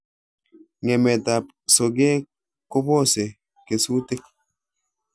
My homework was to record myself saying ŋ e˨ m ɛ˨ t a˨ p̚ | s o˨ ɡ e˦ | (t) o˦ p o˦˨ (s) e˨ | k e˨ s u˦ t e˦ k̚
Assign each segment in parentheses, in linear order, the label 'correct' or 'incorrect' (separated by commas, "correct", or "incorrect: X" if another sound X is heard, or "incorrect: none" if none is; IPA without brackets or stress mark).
incorrect: k, correct